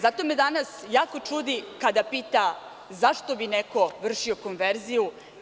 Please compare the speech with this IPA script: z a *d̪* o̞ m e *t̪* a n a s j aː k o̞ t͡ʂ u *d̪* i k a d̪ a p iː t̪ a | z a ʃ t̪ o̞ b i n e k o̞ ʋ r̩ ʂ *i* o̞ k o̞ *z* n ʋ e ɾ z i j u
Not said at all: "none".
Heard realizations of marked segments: t̪, d̪, d̪, i, none

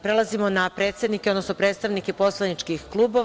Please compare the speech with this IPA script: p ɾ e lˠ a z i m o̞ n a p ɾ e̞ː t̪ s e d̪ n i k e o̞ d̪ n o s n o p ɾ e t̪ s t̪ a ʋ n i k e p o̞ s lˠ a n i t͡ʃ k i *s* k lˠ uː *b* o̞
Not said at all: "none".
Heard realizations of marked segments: x, b

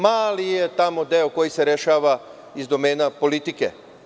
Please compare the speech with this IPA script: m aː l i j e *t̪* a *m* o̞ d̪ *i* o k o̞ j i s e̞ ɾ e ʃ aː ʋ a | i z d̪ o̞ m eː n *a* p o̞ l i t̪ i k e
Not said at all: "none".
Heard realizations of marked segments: t̪, m, e, a

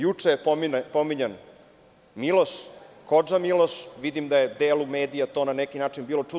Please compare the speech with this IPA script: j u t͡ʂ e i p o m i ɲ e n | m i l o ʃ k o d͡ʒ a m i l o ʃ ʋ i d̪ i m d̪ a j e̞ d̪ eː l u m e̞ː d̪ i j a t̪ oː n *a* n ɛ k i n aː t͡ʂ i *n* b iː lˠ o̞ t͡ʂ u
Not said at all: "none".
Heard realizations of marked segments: a, n

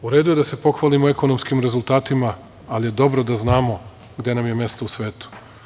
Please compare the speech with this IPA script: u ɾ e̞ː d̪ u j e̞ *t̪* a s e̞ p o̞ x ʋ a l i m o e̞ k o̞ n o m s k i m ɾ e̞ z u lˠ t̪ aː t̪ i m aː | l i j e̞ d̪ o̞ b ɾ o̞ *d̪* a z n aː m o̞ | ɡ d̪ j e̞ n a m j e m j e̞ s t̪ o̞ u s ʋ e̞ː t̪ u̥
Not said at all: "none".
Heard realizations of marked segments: d̪, d̪

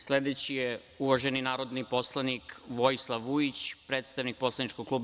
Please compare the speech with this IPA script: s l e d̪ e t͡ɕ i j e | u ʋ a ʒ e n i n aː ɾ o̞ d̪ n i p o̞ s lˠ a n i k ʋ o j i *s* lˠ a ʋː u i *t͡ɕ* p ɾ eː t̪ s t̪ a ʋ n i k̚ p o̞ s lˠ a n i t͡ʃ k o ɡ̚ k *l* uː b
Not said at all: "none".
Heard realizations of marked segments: s, t͡ɕ, l

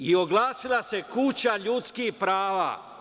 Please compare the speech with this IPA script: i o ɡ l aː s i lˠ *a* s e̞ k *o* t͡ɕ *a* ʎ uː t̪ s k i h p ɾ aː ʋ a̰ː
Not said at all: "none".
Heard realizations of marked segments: a, u, a

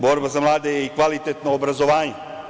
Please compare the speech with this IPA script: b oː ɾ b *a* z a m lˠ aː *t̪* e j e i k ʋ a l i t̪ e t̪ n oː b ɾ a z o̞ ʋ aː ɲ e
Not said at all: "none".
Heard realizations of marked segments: a, d̪

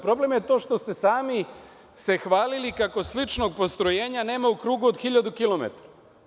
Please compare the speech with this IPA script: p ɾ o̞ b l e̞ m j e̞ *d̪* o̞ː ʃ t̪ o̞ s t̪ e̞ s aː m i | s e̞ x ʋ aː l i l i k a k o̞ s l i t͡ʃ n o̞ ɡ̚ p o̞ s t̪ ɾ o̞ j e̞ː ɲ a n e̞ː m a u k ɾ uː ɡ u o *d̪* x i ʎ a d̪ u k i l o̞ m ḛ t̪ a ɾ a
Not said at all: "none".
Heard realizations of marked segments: t̪, d̪

